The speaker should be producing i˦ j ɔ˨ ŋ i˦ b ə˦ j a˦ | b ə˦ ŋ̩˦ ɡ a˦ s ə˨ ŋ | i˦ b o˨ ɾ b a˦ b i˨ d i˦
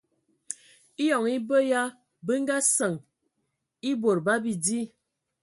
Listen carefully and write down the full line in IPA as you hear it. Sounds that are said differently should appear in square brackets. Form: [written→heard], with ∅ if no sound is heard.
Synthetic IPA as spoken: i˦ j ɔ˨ ŋ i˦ b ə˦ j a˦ | b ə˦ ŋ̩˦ ɡ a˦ s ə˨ ŋ | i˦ b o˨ ɾ b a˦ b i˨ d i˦